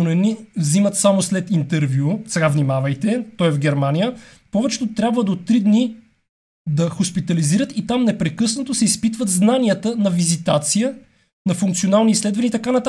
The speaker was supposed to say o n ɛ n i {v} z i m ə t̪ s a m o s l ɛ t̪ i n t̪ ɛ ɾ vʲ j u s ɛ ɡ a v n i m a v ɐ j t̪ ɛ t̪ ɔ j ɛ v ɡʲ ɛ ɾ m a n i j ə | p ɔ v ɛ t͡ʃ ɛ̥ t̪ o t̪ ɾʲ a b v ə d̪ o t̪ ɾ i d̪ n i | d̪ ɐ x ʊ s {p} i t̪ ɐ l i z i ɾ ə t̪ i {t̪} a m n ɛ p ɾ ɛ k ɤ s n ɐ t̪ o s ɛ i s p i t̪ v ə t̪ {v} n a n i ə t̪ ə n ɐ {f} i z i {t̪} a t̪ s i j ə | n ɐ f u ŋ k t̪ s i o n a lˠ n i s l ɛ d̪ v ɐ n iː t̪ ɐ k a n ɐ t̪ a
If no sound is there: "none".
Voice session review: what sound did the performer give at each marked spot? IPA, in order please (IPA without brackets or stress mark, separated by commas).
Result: v, p, t̪, z, v, t̪